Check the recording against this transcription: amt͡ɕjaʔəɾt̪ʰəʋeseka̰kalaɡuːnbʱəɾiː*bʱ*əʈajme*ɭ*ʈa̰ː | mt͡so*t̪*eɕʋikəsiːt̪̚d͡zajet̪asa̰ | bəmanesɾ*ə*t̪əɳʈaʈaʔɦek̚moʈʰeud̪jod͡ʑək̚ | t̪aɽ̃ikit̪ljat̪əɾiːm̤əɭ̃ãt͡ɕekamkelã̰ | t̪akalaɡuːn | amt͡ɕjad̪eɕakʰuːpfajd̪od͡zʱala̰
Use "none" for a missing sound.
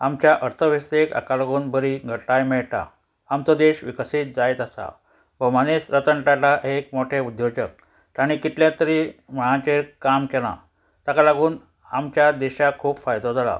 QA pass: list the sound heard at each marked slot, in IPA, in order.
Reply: ɡʱ, ɭ, d̪, ə

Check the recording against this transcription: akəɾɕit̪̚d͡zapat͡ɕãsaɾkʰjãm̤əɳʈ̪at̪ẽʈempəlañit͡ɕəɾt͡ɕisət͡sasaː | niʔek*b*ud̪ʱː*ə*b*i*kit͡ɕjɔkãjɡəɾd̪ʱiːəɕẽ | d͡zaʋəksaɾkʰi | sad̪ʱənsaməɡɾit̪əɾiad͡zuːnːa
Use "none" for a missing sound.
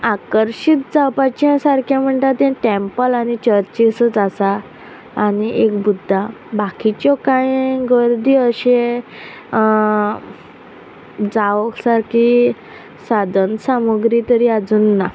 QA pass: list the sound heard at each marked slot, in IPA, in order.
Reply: b, a, a

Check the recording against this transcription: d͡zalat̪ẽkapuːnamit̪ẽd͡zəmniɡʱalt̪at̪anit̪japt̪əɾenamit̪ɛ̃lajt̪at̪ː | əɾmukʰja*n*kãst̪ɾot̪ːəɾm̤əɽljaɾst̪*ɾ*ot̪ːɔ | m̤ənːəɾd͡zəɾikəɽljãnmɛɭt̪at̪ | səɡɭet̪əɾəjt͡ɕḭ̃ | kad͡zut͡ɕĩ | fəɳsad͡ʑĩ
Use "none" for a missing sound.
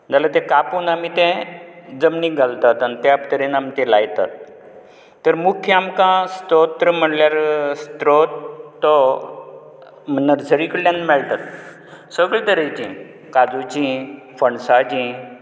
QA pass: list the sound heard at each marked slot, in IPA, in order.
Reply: m, ɾ

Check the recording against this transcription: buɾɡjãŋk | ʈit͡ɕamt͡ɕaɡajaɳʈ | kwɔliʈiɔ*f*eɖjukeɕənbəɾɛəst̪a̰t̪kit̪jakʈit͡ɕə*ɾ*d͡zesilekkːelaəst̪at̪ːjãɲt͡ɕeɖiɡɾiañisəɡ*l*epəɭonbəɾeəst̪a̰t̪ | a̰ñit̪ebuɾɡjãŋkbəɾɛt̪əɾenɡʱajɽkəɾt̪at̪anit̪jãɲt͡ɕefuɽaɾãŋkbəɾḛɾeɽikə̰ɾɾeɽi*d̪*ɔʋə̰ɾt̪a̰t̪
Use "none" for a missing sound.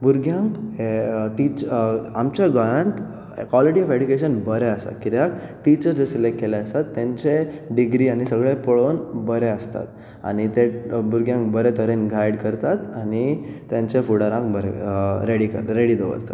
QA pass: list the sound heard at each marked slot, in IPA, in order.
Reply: f, ɾ, ɭ, d̪

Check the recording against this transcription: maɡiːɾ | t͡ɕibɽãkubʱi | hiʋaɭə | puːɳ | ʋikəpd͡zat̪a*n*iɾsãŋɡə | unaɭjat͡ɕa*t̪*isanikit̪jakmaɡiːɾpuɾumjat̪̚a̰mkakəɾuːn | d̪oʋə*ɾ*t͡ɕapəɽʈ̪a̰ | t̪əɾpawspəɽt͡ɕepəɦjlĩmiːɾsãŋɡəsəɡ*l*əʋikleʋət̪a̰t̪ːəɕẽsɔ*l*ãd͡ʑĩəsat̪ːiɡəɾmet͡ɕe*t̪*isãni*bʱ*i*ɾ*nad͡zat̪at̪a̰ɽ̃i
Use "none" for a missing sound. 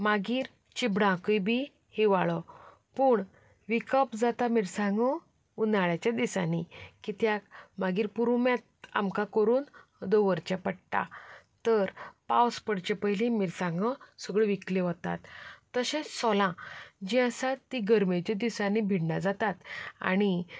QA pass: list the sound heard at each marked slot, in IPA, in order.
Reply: m, d̪, ɾ, ɭ, l, d̪, bʱ, ɽ

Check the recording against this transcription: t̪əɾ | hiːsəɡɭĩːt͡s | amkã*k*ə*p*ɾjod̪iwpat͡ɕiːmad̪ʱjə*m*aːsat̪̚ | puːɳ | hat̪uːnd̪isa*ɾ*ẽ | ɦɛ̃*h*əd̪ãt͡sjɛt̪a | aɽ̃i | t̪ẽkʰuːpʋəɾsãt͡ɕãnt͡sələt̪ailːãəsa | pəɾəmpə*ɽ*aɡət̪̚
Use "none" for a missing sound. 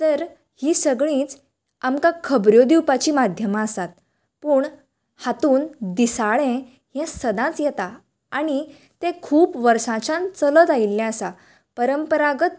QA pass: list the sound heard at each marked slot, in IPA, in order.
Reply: kʰ, b, m, ɭ, s, ɾ

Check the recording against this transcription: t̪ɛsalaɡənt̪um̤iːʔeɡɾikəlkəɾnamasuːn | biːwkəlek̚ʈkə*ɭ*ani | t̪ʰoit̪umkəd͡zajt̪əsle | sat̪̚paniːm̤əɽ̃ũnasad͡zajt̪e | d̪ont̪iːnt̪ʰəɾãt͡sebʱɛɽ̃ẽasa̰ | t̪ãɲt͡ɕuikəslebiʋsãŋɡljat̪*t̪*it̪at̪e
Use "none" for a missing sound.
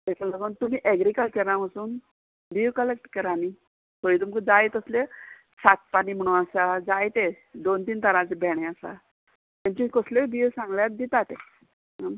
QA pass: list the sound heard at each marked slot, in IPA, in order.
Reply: ɾ, d̪

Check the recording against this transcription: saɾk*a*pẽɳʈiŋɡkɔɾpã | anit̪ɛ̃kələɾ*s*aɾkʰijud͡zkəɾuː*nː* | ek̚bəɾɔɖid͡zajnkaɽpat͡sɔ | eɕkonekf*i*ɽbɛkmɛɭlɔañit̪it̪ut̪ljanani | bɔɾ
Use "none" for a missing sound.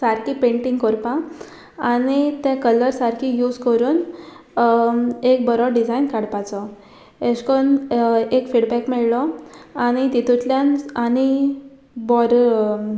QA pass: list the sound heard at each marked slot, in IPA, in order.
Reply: i, s, n, i

